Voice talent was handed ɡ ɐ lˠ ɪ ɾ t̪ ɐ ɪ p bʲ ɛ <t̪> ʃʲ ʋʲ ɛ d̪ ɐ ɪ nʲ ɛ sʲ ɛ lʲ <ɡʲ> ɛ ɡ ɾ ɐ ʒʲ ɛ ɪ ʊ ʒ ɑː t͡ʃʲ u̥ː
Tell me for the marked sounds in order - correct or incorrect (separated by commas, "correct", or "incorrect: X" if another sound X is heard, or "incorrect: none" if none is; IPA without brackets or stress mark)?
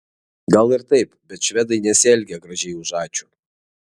correct, correct